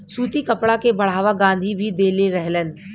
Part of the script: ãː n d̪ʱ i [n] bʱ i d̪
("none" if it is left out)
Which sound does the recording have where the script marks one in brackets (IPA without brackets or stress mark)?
none